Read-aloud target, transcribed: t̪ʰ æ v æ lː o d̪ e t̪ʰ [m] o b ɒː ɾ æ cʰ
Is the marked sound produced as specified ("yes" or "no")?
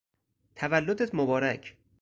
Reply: yes